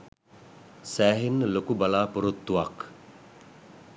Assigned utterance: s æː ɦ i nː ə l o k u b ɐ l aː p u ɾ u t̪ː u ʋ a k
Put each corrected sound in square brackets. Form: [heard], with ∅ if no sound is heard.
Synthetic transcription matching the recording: s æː ɦ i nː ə l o k u b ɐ l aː p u ɾ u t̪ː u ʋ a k